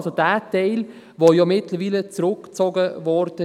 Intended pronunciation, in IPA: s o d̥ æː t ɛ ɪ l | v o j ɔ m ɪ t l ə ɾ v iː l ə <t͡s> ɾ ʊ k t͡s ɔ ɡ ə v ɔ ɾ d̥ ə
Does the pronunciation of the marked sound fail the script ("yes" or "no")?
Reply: no